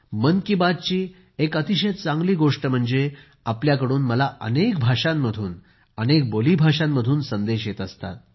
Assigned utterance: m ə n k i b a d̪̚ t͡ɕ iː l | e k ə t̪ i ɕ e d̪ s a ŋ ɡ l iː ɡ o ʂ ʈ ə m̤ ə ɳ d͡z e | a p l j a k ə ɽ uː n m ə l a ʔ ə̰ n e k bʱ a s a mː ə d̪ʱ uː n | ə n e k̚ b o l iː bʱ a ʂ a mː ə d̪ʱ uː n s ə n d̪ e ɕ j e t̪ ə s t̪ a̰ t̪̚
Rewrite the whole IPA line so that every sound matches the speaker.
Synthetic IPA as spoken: m ə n k i b a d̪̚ t͡ɕ iː | e k ə t̪ i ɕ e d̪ t͡s a ŋ ɡ l iː ɡ o ʂ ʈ ə m̤ ə ɳ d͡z e | a p l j a k ə ɽ uː n m ə l a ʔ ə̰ n e k bʱ a ʂ a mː ə d̪ʱ uː n | ə n e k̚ b o l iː bʱ a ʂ a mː ə d̪ʱ uː n s ə n d̪ e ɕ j e t̪ ə s t̪ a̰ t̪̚